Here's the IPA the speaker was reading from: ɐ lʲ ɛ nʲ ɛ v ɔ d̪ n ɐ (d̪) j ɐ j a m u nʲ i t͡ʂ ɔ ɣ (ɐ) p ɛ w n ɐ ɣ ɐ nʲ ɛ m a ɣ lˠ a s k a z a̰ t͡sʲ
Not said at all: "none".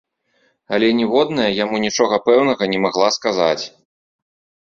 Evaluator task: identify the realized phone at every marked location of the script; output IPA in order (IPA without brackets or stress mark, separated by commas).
none, ɐ